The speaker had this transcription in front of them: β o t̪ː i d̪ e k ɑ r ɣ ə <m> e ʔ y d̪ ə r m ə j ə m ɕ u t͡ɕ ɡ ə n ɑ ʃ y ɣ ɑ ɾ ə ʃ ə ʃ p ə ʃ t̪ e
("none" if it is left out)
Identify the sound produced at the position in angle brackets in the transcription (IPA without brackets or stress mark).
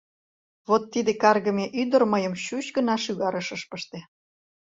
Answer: m